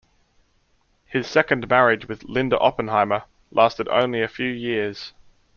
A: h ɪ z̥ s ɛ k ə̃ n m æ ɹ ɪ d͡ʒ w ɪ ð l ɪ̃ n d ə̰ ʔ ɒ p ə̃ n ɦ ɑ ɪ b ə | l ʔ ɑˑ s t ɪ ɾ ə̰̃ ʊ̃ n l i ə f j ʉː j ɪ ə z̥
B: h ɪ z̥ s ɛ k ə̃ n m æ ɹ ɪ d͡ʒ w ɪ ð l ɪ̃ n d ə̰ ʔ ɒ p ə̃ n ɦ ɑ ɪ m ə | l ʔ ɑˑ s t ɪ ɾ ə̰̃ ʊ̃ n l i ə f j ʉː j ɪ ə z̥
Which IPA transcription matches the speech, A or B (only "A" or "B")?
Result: B